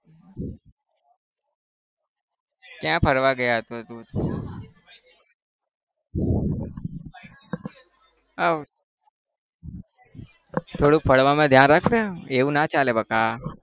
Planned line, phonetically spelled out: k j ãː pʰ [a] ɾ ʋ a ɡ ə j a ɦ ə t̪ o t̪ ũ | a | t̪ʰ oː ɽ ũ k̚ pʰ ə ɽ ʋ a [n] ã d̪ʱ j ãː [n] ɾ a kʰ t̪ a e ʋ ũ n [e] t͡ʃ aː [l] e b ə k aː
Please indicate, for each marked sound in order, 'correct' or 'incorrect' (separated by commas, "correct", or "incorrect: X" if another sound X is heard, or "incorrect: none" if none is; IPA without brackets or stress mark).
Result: incorrect: ə, incorrect: m, correct, incorrect: a, correct